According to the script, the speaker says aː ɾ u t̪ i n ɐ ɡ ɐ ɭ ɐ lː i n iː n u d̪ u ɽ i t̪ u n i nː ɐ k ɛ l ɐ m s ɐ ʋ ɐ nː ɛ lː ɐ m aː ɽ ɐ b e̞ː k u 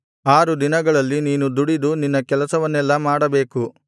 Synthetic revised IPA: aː ɾ u d̪ i n ɐ ɡ ɐ ɭ ɐ lː i n iː n u d̪ u ɽ i d̪ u n i nː ɐ k ɛ l ɐ s ɐ ʋ ɐ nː ɛ lː ɐ m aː ɽ ɐ b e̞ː k u